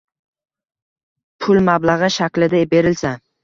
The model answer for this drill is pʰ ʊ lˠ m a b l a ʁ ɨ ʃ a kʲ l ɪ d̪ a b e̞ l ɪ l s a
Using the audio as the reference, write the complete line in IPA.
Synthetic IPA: pʰ ʊ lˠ m a b l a ʁ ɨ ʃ a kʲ l ɪ d̪ a b e̞ ɾ ɪ l s a